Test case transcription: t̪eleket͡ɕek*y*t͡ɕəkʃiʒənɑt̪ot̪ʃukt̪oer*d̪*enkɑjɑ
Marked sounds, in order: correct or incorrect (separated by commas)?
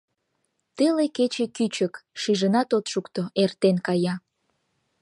correct, incorrect